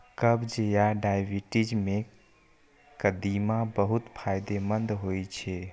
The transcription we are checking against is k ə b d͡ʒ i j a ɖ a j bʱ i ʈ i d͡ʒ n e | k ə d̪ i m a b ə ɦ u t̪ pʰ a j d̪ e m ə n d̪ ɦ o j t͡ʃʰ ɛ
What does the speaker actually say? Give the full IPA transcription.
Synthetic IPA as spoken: k ə b d͡ʒ e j a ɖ a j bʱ i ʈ i d͡ʒ m e | k ə d̪ i m a b ə ɦ u t̪ pʰ a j d̪ e m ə n d̪ ɦ o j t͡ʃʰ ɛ